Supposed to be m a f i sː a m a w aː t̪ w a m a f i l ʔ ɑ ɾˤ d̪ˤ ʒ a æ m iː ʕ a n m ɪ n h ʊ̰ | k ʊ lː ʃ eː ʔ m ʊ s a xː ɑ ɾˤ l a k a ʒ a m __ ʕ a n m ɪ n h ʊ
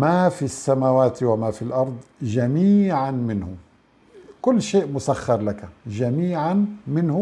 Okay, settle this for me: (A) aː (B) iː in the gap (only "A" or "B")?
B